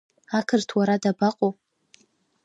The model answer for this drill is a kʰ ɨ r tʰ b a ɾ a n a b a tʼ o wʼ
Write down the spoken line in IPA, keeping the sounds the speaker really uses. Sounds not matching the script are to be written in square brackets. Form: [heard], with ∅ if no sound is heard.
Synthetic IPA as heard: a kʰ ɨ r tʰ [w] a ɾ a [d] a b a [qʼ] o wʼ